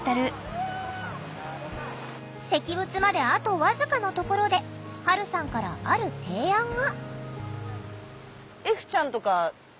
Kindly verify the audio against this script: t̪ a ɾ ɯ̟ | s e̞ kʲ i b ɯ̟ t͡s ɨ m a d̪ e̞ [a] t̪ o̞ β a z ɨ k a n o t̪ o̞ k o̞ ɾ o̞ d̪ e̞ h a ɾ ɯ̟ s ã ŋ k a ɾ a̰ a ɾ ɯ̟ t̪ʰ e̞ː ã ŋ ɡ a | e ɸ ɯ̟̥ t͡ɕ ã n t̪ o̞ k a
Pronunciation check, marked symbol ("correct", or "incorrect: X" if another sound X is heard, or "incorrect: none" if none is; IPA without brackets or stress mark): correct